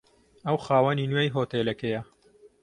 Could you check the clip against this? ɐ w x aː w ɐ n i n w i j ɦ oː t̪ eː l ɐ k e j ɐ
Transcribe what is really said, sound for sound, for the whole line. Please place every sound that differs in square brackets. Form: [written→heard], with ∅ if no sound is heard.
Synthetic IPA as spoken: ɐ w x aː w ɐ n i n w [i→e] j ɦ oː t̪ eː l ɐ k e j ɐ